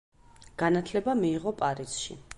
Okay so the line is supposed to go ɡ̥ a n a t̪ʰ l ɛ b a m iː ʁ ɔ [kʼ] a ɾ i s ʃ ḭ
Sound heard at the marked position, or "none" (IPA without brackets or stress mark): pʼ